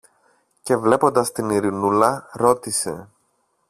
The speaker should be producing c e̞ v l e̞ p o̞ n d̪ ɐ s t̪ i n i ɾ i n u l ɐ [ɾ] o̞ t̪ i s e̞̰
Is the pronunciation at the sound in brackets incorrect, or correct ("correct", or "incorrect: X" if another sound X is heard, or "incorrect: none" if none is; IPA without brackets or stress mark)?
correct